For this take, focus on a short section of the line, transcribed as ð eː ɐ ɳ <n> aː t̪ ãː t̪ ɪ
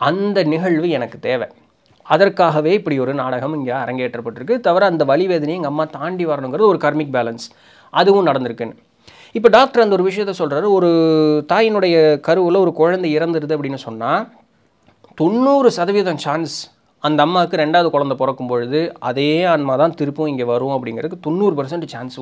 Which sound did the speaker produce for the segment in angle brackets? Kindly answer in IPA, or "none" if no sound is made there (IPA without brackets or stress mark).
m